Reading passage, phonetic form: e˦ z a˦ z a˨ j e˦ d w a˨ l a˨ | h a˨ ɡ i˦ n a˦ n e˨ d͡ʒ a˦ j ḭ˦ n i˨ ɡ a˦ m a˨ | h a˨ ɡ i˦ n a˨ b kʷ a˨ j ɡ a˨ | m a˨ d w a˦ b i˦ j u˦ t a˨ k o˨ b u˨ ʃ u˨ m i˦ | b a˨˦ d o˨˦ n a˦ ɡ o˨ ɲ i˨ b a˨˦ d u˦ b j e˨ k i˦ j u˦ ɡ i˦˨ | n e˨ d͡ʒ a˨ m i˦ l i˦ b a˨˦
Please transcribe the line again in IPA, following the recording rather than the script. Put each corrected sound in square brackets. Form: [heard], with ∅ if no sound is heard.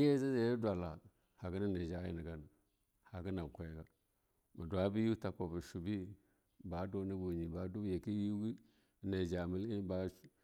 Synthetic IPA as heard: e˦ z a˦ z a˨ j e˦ d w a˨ l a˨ | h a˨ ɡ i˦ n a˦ n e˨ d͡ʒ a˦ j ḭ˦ n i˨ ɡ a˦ [n] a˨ | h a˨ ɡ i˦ n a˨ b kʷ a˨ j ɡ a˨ | m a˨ d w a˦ b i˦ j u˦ t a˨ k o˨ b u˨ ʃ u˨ [b] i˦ | b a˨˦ d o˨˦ n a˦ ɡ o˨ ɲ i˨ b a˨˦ d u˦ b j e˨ k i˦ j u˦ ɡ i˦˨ | n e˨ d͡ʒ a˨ m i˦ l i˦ b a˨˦